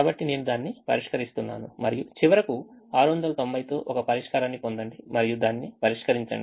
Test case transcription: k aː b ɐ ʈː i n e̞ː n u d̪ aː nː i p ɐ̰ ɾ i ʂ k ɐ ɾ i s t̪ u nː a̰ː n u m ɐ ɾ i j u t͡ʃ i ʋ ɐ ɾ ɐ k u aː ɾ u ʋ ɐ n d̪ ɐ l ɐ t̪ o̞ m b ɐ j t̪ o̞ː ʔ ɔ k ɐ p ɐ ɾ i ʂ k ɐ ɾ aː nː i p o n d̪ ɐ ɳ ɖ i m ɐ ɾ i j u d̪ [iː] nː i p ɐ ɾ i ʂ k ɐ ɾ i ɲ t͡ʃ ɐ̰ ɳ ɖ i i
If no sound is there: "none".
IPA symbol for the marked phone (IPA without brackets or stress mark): aː